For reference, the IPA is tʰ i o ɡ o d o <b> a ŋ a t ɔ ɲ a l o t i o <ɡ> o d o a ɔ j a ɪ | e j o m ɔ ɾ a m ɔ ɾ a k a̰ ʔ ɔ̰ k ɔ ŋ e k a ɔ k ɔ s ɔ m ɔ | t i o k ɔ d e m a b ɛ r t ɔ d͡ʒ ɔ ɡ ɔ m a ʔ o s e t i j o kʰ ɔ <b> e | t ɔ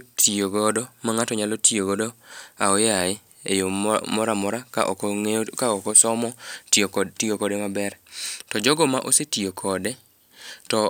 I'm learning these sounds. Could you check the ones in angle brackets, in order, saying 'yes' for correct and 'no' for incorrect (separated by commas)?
no, yes, no